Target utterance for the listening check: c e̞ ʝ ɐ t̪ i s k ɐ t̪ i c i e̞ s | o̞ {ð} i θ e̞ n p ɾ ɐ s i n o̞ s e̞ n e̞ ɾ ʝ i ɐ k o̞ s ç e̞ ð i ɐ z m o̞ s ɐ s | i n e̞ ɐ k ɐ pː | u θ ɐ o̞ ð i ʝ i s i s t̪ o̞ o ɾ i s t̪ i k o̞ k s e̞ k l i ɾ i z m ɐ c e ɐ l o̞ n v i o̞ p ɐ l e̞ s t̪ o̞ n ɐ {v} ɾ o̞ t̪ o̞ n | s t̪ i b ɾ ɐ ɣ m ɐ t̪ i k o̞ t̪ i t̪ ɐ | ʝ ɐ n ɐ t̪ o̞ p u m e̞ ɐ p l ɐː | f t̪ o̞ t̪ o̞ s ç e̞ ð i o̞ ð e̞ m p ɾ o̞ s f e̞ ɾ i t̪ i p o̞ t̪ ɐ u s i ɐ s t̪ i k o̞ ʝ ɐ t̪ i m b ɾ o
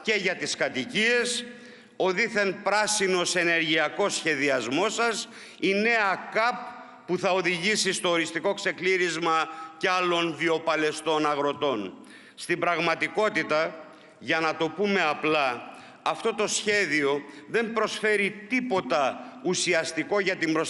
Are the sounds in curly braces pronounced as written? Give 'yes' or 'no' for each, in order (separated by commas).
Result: yes, no